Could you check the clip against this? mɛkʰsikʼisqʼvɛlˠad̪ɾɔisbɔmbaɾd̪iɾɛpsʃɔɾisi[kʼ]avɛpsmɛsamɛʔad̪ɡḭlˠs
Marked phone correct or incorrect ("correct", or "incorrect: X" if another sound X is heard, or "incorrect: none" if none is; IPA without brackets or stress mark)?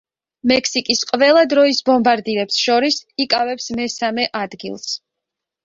correct